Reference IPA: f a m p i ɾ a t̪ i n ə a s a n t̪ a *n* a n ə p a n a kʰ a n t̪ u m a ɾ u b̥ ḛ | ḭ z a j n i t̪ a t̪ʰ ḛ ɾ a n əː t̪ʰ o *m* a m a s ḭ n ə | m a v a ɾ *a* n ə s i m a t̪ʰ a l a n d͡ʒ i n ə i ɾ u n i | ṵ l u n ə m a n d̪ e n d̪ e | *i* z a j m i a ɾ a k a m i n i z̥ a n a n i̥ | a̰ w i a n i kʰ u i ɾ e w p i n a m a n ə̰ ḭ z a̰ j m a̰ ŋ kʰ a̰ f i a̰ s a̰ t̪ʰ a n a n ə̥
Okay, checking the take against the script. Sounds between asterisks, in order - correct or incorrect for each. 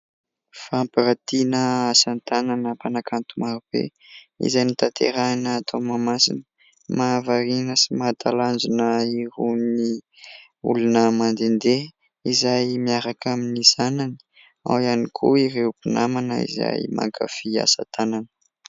correct, correct, incorrect: i, correct

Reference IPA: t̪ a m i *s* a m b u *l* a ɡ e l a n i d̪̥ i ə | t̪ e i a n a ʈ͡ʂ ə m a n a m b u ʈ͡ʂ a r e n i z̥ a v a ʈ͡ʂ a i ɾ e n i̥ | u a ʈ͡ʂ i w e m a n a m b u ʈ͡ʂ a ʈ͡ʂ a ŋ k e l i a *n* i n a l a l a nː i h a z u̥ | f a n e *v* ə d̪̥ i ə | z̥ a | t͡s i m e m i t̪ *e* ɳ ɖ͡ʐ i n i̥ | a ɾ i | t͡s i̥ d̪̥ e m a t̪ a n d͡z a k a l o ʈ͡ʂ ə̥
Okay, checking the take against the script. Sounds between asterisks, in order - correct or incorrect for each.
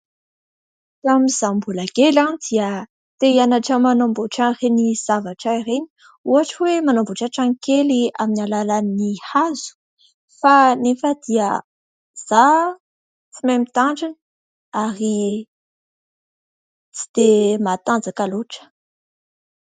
incorrect: z, correct, incorrect: m, incorrect: f, incorrect: a

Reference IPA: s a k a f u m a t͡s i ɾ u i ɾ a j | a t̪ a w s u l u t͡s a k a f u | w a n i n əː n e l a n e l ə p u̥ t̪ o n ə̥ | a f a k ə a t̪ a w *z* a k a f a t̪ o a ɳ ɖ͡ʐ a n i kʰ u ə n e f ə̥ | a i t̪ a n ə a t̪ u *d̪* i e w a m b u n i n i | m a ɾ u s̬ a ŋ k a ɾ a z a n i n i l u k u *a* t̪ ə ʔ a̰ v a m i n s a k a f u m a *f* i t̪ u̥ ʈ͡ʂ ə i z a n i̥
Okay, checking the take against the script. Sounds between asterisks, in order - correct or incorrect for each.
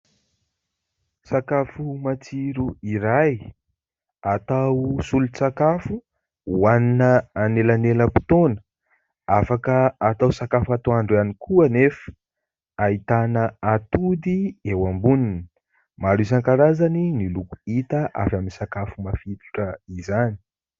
incorrect: s, correct, incorrect: i, correct

